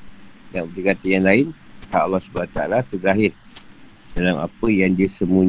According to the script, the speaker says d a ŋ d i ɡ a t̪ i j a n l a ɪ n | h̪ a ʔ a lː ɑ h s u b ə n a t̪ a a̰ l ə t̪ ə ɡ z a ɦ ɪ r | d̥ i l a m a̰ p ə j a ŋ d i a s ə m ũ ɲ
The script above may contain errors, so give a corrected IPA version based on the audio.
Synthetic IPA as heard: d a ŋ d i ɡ a t̪ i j a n l a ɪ n | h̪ a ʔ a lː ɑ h s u b a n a t̪ a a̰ l a t̪ ə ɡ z a ɦ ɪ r | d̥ a l a m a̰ p ə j a ŋ d i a s ə m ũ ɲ